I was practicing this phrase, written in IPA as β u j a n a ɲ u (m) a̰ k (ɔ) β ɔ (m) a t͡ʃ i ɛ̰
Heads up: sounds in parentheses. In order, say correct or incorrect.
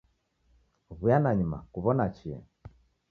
correct, incorrect, incorrect

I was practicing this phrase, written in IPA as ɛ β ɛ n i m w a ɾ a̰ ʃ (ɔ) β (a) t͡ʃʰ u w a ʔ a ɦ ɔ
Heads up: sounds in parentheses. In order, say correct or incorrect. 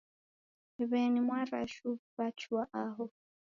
incorrect, correct

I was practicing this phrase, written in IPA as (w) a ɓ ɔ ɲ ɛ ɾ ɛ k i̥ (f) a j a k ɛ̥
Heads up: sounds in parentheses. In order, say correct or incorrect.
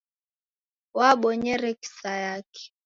correct, incorrect

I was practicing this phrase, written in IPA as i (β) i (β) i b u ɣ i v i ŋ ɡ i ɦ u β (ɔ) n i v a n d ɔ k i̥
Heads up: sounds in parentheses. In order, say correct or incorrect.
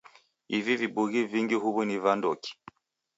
incorrect, incorrect, incorrect

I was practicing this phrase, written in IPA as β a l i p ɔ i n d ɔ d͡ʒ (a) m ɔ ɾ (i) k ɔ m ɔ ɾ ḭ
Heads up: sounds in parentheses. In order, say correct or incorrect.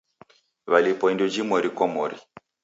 incorrect, correct

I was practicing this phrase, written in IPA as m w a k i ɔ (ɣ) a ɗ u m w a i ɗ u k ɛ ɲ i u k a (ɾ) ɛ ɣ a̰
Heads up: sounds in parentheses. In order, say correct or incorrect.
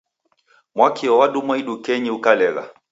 incorrect, incorrect

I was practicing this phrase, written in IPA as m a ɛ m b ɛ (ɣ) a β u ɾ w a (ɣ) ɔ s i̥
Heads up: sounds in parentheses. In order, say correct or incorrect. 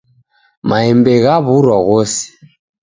correct, correct

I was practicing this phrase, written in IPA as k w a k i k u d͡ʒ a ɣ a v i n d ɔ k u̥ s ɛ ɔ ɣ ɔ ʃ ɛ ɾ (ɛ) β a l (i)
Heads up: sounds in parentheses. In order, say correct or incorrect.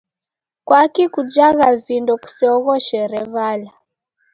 correct, incorrect

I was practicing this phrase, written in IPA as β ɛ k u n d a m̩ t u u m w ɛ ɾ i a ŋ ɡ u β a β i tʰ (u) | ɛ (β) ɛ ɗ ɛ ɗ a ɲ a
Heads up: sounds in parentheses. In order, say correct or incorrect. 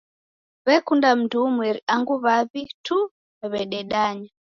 correct, correct

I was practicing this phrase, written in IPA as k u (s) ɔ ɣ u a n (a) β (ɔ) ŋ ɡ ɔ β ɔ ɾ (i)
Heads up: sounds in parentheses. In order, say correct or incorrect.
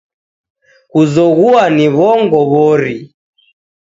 incorrect, incorrect, correct, correct

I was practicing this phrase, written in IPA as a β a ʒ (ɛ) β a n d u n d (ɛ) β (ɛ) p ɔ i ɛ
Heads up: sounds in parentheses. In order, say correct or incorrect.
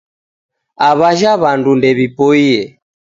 incorrect, correct, incorrect

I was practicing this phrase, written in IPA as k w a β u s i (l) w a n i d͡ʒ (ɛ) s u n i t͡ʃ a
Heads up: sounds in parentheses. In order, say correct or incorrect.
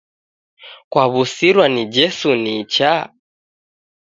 incorrect, correct

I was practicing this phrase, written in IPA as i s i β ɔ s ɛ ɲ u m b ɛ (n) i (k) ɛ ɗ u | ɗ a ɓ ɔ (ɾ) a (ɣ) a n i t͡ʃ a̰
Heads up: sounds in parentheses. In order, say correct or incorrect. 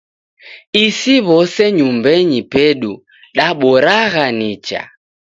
incorrect, incorrect, correct, correct

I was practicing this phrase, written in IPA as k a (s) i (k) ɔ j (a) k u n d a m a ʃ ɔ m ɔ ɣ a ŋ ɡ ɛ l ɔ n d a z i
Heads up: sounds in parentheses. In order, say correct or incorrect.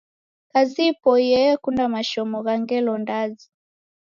incorrect, incorrect, incorrect

